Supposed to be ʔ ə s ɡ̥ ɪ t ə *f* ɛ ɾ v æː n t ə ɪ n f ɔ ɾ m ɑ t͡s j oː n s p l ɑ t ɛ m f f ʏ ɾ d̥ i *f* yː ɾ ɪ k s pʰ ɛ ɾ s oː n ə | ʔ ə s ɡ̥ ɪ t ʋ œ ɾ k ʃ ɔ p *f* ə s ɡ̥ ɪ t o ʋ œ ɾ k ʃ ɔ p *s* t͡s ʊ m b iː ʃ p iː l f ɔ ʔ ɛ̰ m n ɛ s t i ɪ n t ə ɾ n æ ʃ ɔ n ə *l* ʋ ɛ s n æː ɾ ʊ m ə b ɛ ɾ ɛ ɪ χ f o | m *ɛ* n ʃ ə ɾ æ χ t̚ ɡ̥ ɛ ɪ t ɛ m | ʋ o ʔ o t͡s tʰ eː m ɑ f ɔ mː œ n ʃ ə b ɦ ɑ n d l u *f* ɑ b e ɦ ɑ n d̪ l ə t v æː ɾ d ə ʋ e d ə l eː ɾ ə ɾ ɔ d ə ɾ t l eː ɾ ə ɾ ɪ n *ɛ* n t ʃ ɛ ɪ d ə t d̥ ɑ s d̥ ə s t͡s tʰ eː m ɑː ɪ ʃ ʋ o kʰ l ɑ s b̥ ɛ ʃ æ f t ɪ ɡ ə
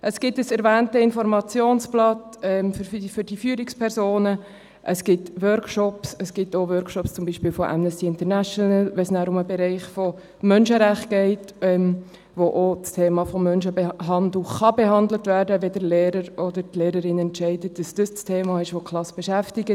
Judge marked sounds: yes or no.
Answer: no, yes, no, yes, yes, no, no, yes

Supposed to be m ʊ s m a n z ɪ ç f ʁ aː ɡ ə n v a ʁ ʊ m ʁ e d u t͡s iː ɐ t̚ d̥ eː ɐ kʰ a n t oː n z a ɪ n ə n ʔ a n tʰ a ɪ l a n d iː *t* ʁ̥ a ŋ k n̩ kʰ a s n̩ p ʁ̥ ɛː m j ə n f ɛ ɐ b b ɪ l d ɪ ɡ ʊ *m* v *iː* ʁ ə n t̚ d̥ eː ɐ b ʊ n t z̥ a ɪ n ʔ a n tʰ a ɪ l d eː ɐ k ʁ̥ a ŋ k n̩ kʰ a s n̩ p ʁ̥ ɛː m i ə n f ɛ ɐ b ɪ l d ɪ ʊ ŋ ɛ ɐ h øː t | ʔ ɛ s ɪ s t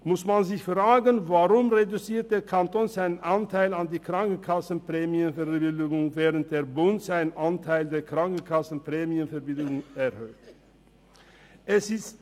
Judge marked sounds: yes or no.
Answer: no, no, no

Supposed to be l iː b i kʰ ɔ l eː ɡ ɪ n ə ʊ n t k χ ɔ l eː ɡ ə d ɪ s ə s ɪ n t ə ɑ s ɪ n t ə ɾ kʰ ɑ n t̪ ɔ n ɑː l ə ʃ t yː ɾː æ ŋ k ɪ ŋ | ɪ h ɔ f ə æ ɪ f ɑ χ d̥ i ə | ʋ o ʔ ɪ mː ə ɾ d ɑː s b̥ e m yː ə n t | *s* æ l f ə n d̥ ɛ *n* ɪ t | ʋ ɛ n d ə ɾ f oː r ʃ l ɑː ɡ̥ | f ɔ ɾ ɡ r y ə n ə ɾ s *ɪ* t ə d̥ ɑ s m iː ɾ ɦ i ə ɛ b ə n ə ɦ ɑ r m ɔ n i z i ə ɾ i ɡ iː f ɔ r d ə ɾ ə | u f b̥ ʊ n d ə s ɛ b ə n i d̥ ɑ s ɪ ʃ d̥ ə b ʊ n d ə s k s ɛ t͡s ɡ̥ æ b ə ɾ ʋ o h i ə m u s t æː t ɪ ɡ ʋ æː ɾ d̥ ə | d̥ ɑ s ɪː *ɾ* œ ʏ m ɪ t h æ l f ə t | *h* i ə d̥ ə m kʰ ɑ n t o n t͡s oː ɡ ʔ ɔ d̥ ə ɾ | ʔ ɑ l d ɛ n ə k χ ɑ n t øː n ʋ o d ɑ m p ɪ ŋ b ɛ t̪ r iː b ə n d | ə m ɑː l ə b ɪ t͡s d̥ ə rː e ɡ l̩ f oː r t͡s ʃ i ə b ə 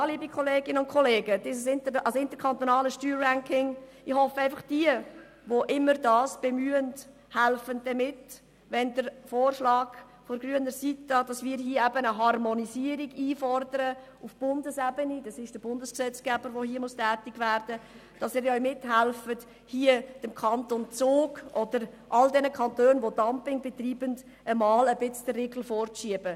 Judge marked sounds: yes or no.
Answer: no, no, no, yes, yes

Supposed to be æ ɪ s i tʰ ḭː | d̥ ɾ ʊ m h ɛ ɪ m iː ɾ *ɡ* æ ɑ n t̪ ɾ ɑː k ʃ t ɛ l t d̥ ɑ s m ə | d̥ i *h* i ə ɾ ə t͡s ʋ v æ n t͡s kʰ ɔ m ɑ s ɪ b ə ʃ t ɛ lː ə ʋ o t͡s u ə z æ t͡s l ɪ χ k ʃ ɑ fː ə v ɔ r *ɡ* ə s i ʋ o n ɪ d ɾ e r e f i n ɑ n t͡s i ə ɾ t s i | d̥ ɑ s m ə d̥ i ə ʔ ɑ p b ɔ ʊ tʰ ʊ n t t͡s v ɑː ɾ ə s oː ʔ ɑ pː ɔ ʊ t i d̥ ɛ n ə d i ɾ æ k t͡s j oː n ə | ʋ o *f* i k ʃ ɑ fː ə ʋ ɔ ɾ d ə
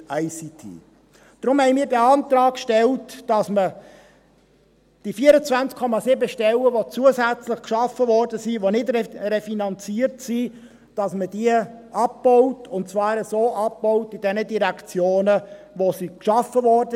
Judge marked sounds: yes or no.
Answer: no, no, no, no

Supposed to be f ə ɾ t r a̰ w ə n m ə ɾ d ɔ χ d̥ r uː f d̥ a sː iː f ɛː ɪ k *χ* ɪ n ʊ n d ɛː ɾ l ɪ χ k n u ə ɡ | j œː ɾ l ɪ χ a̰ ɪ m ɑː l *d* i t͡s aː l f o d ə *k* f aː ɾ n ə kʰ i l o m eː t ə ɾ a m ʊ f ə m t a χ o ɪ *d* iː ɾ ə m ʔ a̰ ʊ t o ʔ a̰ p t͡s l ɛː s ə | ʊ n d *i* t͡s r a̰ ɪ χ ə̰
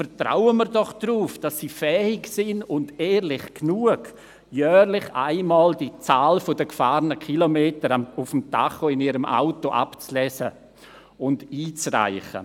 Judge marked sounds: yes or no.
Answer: no, yes, yes, no, no

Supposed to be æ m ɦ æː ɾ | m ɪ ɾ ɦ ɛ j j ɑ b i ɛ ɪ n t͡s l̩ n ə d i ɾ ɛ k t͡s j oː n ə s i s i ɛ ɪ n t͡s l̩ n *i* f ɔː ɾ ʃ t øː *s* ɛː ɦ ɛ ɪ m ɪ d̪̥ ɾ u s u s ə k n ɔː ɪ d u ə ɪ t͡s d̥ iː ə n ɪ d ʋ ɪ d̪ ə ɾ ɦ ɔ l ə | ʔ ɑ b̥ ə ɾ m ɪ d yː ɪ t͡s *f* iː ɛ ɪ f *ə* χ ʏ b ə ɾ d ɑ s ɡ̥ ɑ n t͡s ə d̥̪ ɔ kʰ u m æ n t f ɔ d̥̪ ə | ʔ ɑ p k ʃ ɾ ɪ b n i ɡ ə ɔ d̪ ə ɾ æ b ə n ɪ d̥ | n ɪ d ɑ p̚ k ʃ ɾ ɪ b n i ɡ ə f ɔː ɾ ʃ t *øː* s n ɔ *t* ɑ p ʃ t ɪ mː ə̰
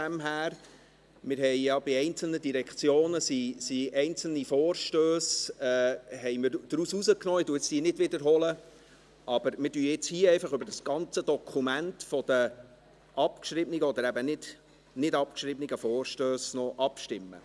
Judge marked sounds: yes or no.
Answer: yes, yes, no, no, yes, no

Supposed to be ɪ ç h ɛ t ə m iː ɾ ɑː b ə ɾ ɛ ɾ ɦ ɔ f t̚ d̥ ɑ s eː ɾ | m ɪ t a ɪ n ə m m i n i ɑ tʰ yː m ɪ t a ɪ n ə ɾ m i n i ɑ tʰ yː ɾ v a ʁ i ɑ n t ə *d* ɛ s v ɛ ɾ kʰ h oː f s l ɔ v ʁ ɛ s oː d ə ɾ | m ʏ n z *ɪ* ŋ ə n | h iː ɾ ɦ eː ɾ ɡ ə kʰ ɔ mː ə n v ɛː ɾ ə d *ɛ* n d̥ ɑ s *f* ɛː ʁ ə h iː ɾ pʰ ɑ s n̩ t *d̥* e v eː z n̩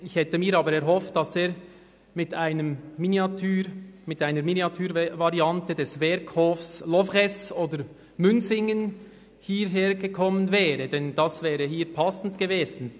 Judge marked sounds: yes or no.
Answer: yes, yes, yes, no, no

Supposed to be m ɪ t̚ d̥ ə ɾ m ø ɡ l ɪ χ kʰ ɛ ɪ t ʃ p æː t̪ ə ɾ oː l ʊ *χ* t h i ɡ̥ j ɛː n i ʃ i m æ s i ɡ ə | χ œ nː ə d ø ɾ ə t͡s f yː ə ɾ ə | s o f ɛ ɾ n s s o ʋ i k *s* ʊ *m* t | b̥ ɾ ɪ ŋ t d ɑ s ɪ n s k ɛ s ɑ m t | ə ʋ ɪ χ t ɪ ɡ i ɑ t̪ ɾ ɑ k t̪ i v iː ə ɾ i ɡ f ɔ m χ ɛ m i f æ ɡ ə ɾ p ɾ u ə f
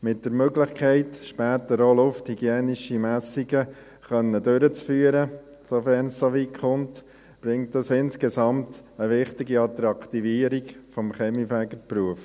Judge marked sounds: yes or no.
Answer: no, no, no

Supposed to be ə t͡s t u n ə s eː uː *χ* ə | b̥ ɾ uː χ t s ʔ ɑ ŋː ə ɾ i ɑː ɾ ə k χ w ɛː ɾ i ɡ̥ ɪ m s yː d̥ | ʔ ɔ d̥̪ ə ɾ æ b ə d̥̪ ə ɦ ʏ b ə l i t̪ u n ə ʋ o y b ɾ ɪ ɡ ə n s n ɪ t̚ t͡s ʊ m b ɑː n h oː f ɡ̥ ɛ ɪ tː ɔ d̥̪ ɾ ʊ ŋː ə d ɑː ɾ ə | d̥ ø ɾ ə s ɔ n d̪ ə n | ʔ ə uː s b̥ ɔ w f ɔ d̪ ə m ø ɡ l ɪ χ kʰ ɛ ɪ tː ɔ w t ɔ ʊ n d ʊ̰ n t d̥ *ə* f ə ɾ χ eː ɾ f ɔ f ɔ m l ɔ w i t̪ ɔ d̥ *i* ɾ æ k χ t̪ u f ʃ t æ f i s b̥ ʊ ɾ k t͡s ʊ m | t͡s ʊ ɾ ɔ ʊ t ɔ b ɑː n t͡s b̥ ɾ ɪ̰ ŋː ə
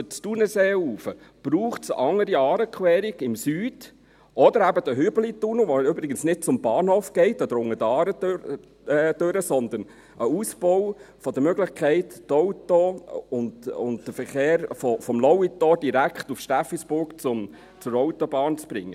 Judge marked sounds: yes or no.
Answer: no, yes, yes

